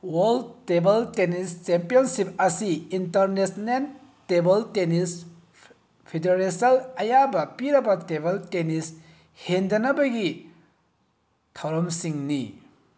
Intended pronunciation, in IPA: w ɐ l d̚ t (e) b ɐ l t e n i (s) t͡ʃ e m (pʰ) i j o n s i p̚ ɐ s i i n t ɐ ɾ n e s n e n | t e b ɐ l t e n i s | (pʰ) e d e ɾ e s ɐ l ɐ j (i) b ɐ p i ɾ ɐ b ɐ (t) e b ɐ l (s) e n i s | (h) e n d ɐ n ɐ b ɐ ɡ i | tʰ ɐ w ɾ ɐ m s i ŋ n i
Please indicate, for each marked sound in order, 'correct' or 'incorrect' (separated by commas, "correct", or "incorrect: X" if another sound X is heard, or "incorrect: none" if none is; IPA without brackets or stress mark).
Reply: correct, correct, incorrect: p, correct, incorrect: a, correct, incorrect: t, correct